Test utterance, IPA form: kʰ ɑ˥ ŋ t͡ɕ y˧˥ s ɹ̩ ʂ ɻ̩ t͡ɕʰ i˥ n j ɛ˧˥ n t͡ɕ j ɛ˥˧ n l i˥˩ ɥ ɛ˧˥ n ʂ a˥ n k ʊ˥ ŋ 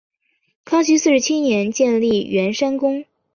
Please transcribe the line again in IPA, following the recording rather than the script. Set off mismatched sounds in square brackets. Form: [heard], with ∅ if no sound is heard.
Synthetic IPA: kʰ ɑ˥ ŋ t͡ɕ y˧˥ s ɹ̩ ʂ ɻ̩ t͡ɕʰ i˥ n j ɛ˧˥ n t͡ɕ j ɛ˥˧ n l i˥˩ ɥ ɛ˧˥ n ʂ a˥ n k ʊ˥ ŋ